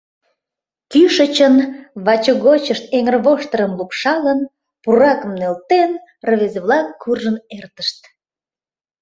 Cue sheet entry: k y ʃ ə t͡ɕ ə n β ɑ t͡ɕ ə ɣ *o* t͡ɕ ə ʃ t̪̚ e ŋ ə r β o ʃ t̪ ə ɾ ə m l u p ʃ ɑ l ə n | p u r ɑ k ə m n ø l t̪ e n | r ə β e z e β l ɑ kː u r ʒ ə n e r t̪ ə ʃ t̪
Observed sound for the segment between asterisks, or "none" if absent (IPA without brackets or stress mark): o